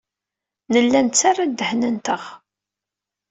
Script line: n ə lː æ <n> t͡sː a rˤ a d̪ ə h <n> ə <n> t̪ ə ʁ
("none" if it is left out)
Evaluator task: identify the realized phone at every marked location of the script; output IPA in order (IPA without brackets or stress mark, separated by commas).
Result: n, n, n